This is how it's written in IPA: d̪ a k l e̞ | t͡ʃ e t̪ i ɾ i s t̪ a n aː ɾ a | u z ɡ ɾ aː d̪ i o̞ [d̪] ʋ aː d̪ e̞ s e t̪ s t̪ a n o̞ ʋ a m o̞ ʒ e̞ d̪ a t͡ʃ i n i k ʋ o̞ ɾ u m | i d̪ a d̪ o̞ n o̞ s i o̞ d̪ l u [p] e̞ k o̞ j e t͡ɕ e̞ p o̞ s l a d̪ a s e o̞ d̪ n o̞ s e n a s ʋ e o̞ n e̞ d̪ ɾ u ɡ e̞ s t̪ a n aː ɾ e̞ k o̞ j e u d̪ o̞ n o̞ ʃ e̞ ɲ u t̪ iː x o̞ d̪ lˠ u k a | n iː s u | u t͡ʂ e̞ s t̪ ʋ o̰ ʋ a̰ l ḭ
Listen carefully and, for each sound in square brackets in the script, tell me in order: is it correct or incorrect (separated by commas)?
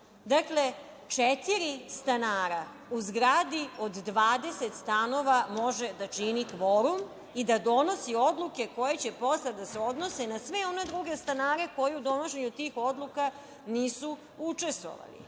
incorrect, incorrect